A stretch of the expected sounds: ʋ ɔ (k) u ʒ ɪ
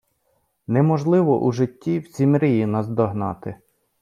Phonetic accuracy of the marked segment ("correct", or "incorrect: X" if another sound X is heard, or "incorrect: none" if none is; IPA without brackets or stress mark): incorrect: ʔ